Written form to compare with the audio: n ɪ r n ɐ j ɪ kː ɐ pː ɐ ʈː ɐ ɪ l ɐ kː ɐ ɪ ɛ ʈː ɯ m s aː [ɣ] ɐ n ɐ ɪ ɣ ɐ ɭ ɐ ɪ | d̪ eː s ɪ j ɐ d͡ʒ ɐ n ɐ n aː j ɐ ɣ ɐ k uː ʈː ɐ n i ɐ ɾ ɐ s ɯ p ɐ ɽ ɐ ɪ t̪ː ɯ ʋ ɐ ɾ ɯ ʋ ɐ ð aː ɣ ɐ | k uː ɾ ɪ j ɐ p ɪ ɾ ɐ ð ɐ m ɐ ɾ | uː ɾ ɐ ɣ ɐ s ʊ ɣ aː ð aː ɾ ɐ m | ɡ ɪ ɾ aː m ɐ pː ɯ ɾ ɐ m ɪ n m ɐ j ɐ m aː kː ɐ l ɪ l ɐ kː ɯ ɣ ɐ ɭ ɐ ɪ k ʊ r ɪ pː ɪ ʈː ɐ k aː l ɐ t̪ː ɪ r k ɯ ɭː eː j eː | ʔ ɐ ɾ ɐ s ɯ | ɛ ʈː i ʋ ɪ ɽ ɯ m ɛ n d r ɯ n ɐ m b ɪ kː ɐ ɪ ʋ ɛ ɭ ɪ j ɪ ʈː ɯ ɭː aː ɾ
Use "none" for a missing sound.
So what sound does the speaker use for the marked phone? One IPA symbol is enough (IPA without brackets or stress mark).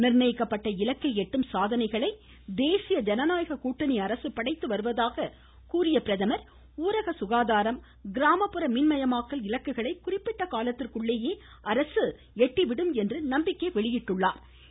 ð